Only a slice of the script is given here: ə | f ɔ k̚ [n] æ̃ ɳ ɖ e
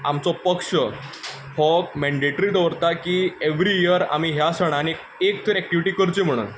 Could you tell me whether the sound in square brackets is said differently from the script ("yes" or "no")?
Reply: yes